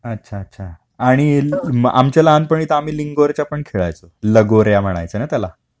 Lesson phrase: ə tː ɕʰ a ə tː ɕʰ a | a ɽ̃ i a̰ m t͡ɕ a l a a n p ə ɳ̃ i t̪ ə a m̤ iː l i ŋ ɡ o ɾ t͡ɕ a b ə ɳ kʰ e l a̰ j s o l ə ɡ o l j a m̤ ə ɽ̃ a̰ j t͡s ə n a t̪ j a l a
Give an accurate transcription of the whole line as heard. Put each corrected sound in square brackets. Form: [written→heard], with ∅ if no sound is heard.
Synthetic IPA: ə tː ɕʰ a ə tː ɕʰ a | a ɽ̃ i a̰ m t͡ɕ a l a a n p ə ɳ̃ i t̪ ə a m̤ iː l i ŋ ɡ o ɾ t͡ɕ a [b→p] ə ɳ kʰ e [l→ɭ] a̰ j [s→t͡s] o l ə ɡ o [l→ɾ] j a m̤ ə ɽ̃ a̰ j t͡s ə n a t̪ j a l a